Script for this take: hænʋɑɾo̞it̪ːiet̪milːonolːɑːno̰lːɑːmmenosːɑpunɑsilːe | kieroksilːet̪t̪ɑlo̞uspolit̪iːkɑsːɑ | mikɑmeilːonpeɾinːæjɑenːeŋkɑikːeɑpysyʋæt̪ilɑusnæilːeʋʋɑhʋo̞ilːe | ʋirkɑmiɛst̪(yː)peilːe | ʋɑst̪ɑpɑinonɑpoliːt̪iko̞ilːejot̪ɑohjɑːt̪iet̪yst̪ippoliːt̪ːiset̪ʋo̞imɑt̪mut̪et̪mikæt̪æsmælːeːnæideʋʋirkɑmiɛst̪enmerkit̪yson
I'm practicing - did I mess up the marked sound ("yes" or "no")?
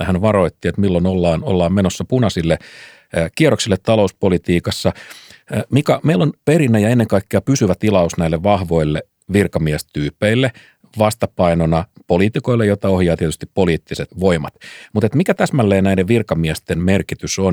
no